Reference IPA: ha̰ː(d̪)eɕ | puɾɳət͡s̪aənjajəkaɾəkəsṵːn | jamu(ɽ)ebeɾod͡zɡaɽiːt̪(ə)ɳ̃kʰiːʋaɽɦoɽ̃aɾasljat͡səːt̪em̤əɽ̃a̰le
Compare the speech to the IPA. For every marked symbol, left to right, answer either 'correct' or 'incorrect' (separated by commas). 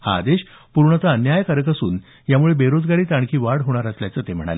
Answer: correct, incorrect, incorrect